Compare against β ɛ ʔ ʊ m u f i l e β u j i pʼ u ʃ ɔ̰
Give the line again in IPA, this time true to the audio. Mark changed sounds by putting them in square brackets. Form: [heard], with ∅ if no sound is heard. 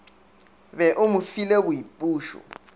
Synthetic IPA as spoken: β ɛ ʔ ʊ m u f i l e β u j i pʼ [uː] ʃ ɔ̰